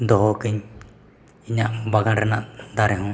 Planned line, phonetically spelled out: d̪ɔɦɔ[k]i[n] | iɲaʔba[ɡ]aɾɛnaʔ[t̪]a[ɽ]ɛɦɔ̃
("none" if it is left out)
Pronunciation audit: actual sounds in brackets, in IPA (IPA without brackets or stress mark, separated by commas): k, ɲ, ɡ, d̪, ɾ